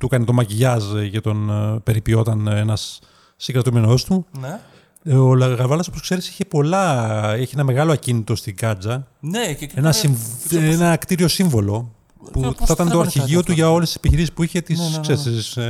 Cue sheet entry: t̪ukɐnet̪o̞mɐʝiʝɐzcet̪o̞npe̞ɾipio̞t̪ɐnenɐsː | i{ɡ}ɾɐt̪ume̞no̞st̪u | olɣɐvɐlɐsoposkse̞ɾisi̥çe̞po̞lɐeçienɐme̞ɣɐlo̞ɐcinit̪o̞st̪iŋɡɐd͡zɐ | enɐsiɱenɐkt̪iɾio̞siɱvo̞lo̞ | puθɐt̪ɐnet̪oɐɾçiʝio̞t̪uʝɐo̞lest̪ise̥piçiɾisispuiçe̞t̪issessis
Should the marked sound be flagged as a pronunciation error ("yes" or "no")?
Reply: no